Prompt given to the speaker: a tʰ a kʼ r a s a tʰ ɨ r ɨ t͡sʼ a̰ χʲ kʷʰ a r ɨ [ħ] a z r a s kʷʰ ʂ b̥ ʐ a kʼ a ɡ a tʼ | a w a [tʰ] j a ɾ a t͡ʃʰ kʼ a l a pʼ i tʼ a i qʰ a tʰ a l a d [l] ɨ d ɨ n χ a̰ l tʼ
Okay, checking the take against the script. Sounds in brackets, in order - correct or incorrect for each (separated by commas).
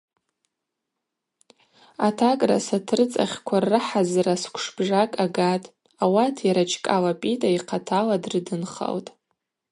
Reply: correct, correct, incorrect